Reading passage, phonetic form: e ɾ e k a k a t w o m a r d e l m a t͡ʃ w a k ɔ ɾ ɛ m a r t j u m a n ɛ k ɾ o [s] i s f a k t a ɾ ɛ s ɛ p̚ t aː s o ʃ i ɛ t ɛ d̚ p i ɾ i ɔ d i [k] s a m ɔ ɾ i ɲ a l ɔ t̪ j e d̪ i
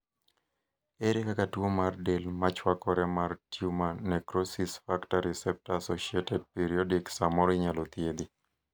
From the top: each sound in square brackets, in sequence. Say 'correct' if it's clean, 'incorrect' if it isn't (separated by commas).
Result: correct, correct